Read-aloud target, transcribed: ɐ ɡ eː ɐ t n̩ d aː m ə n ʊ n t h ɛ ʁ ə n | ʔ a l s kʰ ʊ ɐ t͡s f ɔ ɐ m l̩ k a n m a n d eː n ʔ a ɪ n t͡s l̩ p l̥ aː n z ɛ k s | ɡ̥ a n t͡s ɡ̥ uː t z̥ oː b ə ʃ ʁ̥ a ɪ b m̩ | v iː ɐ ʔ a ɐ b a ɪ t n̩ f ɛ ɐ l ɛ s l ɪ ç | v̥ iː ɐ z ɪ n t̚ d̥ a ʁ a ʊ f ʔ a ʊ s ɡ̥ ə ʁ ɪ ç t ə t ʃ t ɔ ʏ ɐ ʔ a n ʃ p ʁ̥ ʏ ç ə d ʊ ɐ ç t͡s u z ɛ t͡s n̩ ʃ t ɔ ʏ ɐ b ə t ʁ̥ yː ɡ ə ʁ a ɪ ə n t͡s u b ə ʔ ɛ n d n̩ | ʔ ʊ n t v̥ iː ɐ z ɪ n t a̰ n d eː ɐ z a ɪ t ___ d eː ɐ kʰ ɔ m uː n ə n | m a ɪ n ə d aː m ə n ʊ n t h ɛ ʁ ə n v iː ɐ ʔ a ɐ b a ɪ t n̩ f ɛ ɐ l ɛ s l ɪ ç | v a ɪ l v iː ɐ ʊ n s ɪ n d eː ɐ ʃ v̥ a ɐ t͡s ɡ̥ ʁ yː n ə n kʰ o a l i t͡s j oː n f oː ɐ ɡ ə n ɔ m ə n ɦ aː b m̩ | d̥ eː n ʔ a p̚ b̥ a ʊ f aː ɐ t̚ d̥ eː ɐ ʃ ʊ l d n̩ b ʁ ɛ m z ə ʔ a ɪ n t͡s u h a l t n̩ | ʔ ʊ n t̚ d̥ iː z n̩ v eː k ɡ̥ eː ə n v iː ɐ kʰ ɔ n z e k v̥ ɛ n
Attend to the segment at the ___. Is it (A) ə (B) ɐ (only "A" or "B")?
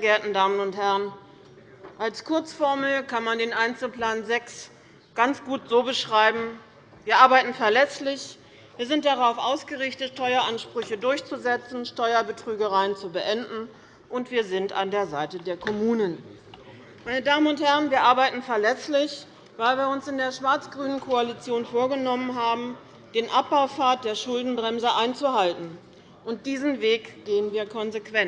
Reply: A